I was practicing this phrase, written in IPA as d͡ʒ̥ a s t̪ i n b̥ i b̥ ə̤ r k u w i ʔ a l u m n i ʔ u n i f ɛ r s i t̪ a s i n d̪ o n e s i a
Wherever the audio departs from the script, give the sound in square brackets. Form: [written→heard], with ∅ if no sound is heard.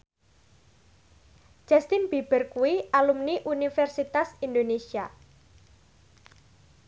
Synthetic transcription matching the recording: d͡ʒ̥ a s t̪ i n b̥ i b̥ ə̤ r k u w i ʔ a l u m n i ʔ u n i f ɛ r s i t̪ a s i n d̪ o n e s i a